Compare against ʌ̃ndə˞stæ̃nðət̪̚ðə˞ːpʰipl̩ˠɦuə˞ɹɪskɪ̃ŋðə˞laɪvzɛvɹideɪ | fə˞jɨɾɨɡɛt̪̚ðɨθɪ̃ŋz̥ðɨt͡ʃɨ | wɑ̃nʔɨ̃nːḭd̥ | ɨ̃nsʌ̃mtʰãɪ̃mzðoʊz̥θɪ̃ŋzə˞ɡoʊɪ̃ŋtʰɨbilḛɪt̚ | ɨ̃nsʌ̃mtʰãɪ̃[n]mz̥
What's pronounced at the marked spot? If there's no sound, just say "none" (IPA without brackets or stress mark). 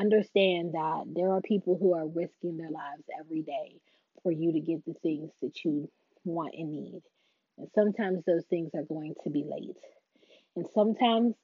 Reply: none